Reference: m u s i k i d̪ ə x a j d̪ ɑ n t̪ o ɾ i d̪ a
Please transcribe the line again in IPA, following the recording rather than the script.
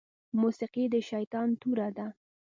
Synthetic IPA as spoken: m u s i q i d̪ ə ʃ a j t̪ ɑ n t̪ u ɾ a d̪ a